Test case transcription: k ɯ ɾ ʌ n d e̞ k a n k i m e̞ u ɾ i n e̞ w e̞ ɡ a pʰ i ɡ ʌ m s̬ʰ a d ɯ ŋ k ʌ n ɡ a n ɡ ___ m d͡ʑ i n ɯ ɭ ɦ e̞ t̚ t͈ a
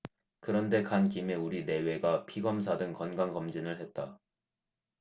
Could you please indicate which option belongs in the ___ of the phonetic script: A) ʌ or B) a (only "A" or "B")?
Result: A